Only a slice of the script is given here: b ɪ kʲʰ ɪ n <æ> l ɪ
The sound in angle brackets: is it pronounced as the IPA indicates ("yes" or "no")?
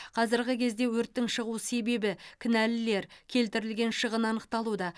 yes